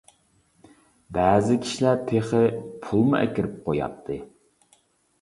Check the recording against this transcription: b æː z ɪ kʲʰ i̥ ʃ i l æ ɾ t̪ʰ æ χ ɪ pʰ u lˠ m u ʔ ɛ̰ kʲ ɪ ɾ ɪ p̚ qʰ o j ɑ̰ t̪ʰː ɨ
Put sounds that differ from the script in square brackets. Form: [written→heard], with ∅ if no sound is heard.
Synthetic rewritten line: b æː z ɪ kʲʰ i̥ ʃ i l æ ɾ t̪ʰ [æ→e] χ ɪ pʰ u lˠ m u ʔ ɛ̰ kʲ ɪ ɾ ɪ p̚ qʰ o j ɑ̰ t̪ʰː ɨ